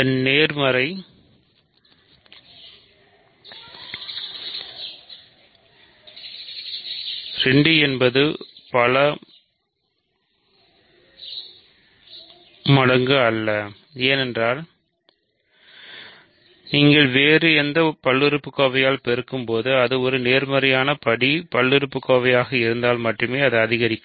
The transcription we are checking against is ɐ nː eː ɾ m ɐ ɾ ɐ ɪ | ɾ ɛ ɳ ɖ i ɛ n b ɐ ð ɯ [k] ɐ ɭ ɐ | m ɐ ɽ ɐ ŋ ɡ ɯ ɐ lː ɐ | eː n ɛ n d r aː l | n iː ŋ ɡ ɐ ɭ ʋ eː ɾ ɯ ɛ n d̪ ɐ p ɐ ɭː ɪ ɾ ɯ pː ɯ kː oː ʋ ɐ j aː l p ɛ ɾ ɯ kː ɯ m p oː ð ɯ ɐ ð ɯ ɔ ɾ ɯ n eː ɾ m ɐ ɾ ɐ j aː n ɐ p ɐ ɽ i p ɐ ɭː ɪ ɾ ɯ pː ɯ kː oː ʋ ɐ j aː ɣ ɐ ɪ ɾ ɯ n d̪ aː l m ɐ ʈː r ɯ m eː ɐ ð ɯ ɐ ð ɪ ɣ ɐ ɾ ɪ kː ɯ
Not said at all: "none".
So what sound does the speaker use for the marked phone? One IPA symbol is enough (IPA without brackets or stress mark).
p